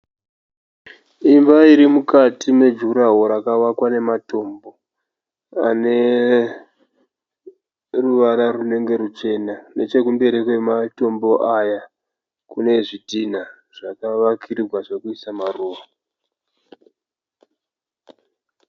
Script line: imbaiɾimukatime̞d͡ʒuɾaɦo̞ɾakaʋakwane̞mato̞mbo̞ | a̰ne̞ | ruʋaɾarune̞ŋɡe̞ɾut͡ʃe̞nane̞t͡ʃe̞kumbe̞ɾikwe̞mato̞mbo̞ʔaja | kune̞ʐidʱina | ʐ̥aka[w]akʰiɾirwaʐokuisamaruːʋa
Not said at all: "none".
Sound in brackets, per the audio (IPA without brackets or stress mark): ʋ